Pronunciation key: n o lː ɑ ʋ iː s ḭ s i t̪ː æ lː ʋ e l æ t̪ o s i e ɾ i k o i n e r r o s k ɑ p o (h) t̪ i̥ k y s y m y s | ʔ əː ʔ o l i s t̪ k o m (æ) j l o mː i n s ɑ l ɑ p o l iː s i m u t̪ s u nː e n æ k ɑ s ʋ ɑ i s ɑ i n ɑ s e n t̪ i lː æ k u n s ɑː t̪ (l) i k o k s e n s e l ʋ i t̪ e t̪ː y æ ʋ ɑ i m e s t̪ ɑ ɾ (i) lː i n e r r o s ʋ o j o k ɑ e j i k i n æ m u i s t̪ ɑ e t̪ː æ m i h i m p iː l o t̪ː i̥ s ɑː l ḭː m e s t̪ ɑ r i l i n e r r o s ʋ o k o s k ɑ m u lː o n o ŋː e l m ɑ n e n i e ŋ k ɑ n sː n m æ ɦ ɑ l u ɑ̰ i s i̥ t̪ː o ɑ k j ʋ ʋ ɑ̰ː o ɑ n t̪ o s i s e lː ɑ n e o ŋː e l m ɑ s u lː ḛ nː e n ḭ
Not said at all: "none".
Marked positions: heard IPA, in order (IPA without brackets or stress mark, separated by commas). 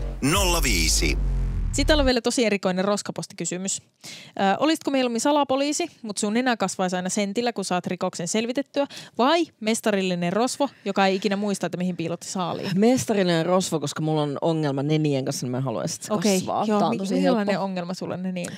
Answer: s, e, r, i